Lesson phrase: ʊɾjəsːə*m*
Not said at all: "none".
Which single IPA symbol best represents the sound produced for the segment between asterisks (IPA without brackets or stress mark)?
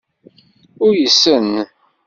n